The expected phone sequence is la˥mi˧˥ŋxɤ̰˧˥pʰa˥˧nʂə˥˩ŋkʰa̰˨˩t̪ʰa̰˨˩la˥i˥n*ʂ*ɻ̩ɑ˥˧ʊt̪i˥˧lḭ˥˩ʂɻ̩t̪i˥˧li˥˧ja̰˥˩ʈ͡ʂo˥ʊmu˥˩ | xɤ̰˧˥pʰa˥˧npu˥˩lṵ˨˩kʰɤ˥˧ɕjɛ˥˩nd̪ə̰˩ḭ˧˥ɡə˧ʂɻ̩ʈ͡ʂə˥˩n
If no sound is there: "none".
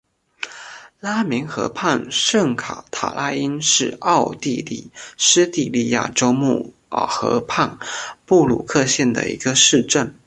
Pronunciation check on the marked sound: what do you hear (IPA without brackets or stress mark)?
ʂ